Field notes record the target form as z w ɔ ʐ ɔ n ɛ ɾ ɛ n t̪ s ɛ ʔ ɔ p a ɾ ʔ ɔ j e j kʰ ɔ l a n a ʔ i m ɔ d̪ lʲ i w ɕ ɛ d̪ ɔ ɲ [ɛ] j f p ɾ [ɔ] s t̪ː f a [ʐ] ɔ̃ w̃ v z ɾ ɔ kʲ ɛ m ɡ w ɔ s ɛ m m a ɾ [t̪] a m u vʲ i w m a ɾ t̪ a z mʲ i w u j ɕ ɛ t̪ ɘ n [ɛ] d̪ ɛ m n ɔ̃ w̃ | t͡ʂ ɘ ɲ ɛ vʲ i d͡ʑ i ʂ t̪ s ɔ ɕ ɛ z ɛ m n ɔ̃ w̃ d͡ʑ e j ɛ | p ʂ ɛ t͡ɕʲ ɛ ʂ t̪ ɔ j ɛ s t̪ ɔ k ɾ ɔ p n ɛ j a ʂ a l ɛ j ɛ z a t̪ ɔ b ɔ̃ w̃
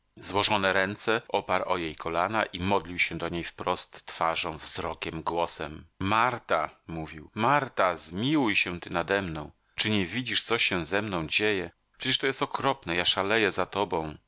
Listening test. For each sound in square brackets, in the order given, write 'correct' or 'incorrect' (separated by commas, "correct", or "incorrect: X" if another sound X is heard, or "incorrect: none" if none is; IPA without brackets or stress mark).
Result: incorrect: e, correct, correct, correct, incorrect: a